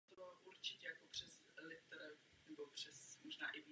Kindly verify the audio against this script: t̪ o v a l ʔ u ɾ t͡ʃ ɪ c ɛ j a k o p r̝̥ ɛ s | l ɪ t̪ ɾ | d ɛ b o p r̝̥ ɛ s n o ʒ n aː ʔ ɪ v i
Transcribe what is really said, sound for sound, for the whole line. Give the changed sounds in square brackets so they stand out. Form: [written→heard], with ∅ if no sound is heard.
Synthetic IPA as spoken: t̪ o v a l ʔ u ɾ t͡ʃ ɪ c ɛ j a k o p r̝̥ ɛ s | l ɪ t̪ ɾ | [d→n] ɛ b o p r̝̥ ɛ s [n→m] o ʒ n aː ʔ ɪ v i